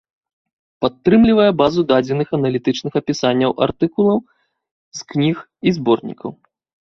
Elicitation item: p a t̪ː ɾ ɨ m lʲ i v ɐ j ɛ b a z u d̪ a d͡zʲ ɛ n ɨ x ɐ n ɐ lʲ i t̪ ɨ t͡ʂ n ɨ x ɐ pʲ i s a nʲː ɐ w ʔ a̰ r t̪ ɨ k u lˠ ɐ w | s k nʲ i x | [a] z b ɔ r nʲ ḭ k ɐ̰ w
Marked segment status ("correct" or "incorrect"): incorrect